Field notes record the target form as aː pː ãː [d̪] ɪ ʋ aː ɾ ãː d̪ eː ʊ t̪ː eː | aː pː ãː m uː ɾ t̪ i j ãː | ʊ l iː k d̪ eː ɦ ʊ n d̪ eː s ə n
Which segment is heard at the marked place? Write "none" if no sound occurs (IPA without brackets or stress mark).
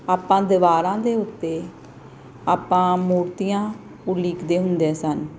d̪